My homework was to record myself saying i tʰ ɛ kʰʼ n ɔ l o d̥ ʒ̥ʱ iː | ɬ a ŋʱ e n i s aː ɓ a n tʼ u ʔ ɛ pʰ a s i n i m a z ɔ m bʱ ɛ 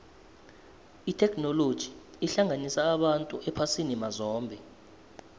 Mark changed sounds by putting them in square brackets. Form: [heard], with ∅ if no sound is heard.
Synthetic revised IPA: i tʰ ɛ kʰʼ n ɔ l o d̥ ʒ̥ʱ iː | ɬ a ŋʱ [a] n i s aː ɓ a n tʼ u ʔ ɛ pʰ a s i n i m a z [ɔː] m bʱ ɛ